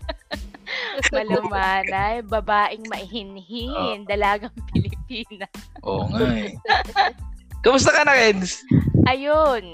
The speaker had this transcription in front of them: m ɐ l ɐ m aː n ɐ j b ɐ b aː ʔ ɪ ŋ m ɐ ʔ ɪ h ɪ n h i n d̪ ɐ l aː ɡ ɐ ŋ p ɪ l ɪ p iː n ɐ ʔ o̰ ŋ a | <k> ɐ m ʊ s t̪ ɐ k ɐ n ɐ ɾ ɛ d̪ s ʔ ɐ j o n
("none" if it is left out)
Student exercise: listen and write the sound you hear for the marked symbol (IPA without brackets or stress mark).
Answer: k